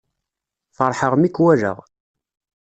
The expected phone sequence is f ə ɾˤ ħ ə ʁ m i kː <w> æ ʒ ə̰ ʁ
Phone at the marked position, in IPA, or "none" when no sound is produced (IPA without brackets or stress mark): w